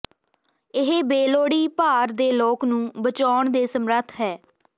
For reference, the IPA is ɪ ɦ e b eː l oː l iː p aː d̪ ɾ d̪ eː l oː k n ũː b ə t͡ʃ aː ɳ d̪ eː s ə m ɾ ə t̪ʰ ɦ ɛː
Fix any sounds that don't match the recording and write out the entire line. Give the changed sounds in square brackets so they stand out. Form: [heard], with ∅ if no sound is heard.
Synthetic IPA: ɪ ɦ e b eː l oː [ɽ] iː p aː [∅] ɾ d̪ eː l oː k n ũː b ə t͡ʃ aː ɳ d̪ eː s ə m ɾ ə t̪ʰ ɦ ɛː